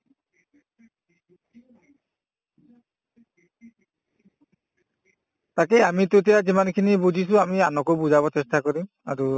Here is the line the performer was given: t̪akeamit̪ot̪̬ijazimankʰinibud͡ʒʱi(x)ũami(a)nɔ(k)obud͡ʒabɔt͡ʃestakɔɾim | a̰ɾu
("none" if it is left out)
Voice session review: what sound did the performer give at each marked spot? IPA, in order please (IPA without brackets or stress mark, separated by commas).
s, a, k